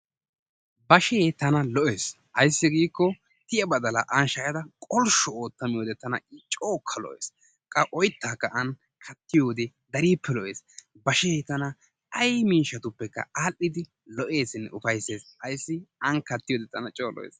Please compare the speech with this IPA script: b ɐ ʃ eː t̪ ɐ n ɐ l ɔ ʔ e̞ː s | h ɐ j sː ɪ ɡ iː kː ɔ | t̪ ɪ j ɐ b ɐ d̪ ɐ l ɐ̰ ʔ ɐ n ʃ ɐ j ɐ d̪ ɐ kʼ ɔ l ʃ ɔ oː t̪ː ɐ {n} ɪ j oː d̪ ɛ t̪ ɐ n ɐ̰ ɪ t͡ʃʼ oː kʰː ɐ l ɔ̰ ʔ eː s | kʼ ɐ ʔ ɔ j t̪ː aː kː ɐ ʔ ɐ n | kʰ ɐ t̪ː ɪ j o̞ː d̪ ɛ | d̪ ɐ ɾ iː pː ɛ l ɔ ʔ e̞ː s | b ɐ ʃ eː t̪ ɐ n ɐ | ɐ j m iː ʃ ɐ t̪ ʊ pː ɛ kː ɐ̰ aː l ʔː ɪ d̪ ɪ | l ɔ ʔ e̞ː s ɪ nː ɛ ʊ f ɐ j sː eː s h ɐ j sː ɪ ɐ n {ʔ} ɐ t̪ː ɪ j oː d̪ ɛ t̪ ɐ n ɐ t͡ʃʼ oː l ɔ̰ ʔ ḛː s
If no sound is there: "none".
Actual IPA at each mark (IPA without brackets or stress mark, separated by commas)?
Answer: m, k